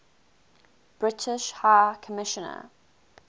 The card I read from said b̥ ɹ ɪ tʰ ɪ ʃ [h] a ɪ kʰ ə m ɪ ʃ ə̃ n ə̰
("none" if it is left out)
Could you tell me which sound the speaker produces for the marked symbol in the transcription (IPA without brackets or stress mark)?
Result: h